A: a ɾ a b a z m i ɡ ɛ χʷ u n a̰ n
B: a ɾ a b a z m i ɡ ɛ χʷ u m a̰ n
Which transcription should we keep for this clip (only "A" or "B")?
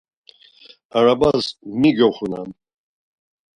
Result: A